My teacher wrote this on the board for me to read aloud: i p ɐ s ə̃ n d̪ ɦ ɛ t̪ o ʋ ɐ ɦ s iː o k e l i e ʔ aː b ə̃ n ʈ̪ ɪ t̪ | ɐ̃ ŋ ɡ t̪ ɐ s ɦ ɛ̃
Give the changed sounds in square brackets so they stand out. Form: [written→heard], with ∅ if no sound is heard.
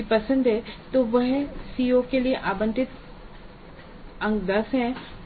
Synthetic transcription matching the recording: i p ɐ s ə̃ n d̪ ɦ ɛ t̪ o ʋ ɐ ɦ s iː o k e l i e ʔ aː b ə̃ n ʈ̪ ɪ t̪ | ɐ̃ ŋ ɡ [t̪→d̪] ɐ s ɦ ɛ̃